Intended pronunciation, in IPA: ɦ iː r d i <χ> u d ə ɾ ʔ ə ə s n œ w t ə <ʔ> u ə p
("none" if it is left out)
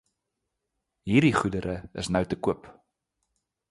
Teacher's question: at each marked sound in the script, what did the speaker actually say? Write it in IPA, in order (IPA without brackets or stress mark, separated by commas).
χ, k